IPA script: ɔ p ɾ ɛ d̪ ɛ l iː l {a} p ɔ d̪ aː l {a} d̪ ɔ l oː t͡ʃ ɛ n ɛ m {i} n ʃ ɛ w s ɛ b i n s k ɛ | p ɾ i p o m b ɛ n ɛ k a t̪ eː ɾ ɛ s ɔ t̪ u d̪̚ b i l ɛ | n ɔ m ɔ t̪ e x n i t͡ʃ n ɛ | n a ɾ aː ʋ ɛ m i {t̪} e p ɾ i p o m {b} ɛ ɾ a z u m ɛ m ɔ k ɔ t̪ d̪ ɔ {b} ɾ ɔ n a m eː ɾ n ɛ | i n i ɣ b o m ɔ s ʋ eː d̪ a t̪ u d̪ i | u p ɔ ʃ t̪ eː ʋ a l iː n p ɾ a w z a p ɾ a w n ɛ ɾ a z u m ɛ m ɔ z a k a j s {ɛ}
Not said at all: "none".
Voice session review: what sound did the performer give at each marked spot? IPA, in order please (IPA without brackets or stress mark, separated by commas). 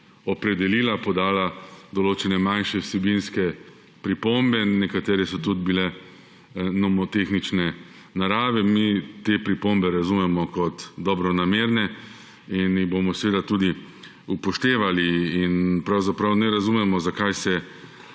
a, a, a, t̪, b, b, ɛ